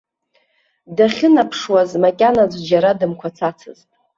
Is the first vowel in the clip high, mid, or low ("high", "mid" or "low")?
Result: low